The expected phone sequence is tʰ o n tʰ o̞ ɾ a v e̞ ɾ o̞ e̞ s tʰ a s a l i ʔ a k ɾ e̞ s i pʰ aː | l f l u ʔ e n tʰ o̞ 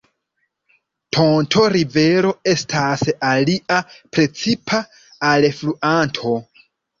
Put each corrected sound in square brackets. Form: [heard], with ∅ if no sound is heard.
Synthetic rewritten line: tʰ o n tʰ o̞ ɾ [i] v e̞ ɾ o̞ e̞ s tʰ a s a l i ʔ a [p] ɾ e̞ [t͡s] i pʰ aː | l f l u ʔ [a] n tʰ o̞